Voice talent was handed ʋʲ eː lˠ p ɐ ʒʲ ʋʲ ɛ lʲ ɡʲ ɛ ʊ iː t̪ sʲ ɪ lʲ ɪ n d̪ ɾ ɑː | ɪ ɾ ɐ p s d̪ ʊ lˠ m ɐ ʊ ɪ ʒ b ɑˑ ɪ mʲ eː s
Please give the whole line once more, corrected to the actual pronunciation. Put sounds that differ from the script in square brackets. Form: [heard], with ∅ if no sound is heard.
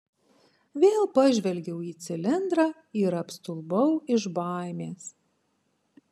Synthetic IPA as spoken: ʋʲ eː lˠ p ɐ ʒʲ ʋʲ ɛ lʲ ɡʲ ɛ ʊ iː t̪ sʲ ɪ lʲ ɪ n d̪ ɾ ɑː | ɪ ɾ ɐ p s [t̪] ʊ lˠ [b] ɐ ʊ ɪ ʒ b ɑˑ ɪ mʲ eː s